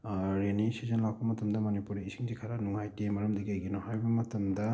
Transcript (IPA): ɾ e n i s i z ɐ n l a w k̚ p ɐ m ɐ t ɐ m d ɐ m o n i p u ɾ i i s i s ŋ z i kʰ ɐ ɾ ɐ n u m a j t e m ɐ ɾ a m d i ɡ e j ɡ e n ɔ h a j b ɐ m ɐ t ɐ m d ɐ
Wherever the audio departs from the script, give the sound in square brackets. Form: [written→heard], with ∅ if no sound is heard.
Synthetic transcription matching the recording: ɾ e n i s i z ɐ n l a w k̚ p ɐ m ɐ t ɐ m d ɐ m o n i p u ɾ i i s i [s→∅] ŋ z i kʰ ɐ ɾ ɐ n u [m→ŋ] a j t e m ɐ ɾ [a→ɐ] m d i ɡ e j ɡ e n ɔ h a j b ɐ m ɐ t ɐ m d ɐ